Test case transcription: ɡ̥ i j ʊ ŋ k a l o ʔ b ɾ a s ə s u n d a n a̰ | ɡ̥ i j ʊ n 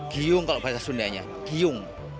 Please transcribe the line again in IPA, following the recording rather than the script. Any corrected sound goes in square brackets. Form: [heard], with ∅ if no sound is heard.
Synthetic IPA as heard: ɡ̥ i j ʊ ŋ k a l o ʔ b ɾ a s [a] s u n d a [ɲ] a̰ | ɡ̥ i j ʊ [ŋ]